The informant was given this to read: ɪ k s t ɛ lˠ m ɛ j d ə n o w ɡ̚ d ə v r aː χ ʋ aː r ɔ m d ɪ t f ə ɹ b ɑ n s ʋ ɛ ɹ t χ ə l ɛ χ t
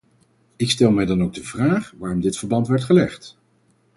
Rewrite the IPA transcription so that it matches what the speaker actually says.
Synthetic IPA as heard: ɪ k s t ɛ lˠ m ɛ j d ɑ n o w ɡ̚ d ə v r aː χ ʋ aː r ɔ m d ɪ t f ə ɹ b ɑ n t ʋ ɛ ɹ t χ ə l ɛ χ t